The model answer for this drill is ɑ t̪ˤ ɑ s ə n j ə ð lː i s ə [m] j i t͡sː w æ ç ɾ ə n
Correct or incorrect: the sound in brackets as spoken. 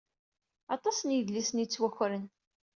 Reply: incorrect: n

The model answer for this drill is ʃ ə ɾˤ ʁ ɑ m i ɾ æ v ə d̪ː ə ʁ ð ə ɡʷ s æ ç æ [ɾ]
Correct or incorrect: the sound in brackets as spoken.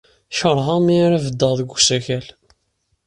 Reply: incorrect: l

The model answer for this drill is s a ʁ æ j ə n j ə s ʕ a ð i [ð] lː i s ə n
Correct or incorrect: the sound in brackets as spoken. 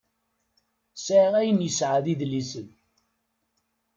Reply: correct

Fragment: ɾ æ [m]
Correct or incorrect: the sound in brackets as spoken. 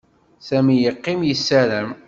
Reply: correct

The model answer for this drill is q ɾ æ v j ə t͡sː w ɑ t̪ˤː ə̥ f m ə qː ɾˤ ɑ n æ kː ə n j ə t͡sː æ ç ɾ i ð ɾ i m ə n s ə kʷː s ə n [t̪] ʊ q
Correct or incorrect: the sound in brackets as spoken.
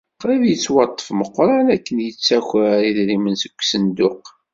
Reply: incorrect: d̪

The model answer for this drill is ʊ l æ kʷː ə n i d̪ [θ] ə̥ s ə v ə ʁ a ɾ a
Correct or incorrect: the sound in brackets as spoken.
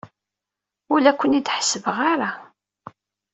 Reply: incorrect: ħ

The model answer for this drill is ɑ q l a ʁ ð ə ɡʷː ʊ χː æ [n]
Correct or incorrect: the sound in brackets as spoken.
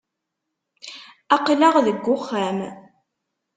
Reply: incorrect: m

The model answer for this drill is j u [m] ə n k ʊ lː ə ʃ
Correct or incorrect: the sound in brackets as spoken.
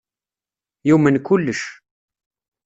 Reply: correct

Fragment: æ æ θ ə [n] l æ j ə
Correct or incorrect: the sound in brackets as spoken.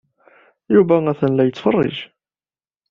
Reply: correct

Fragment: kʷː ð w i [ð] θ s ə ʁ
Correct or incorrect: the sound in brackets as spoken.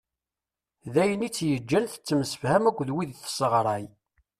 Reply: correct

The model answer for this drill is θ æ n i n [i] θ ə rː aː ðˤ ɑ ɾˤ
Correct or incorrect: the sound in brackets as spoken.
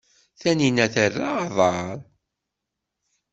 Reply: incorrect: æ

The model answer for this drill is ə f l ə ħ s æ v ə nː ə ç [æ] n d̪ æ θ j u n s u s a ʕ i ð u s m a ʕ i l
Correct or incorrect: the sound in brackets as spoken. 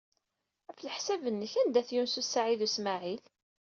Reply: correct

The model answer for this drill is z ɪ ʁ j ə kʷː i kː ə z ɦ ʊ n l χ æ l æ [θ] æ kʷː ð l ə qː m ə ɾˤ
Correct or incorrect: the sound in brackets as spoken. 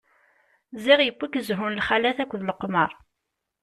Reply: correct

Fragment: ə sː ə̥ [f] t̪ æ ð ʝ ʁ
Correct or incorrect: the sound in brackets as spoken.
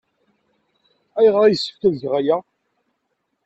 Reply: correct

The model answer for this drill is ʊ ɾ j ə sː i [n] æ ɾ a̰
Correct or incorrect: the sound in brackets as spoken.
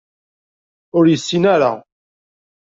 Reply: correct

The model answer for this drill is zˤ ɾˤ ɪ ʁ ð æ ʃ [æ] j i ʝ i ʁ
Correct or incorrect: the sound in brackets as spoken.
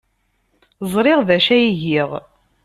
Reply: correct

